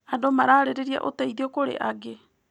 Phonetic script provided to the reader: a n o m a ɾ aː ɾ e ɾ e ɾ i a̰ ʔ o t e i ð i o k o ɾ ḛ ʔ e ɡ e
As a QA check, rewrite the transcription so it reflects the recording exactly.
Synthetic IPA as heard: a d o m a ɾ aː ɾ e ɾ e ɾ i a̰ ʔ o t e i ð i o k o ɾ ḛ ʔ a ɡ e